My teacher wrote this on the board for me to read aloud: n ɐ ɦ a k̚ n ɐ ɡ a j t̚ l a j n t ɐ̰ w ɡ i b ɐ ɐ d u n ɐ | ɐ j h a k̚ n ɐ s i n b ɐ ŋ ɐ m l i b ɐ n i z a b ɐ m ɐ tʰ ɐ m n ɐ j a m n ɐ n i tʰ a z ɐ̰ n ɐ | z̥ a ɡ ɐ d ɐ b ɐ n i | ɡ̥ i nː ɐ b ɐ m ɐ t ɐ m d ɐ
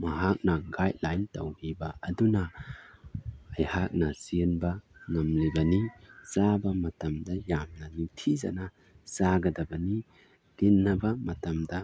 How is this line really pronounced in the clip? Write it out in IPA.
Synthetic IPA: m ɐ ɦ a k̚ n ɐ ɡ a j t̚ l a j n t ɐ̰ w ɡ i b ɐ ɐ d u n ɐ | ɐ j h a k̚ n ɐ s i n b ɐ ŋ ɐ m l i b ɐ n i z a b ɐ m ɐ t ɐ m d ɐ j a m n ɐ n i tʰ i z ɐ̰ n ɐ | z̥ a ɡ ɐ d ɐ b ɐ n i | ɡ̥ i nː ɐ b ɐ m ɐ t ɐ m d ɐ